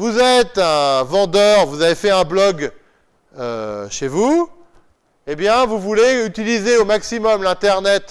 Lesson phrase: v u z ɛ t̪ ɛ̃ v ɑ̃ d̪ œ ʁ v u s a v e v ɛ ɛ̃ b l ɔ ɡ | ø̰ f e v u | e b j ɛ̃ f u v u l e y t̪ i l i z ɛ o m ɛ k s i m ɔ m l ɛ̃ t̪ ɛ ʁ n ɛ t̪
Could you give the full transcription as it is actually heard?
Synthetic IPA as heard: v u z ɛ t̪ ɛ̃ v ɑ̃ d̪ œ ʁ v u z a v e f ɛ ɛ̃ b l ɔ ɡ | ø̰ ʃ e v u | e b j ɛ̃ v u v u l e y t̪ i l i z e o m a k s i m ɔ m l ɛ̃ t̪ ɛ ʁ n ɛ t̪